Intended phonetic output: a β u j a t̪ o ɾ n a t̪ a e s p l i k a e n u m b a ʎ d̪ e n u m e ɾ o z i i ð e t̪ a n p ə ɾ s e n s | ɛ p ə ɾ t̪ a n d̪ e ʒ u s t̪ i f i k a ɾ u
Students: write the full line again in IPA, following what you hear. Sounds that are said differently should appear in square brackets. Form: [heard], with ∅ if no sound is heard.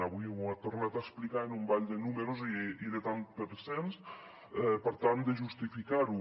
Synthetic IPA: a β u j a t̪ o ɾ n a t̪ a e s p l i k a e n u m b a ʎ d̪ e n u m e ɾ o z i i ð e t̪ a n p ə ɾ s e n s | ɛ p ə ɾ t̪ a n d̪ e ʒ u s t̪ i f i k a ɾ u